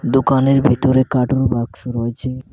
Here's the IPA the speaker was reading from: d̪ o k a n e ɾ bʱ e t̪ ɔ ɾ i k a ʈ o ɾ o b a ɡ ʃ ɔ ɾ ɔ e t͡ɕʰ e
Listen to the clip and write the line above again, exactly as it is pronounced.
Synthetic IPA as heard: d̪ o k a n e ɾ bʱ i t̪ o ɾ e k a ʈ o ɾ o b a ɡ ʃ o ɾ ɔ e t͡ɕʰ e